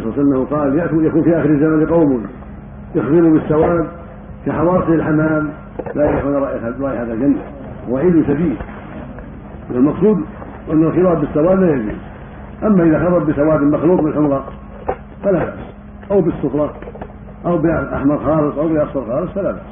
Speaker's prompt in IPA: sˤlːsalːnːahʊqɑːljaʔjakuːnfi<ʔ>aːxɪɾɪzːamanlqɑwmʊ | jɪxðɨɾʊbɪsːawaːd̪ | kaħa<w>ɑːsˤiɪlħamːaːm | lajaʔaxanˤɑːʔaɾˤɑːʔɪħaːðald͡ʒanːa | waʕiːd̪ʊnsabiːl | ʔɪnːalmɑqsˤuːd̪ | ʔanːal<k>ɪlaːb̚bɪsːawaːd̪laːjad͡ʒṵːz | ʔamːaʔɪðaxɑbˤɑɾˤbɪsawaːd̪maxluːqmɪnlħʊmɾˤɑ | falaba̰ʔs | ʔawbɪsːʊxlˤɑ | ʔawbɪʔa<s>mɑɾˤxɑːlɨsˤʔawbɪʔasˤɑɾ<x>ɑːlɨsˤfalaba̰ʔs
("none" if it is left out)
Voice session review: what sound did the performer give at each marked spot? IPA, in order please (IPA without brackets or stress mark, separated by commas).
ʔ, w, x, ħ, x